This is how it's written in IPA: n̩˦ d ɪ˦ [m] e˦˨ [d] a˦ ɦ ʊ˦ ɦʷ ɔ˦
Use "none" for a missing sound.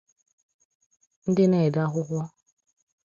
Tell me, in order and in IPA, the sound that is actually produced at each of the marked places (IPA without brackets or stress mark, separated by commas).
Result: n, d